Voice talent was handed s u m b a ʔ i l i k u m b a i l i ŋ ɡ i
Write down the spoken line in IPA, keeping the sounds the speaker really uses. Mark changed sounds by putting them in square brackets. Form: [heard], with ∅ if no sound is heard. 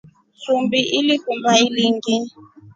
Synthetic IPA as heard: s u m b [i] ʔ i l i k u m b a i l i ŋ ɡ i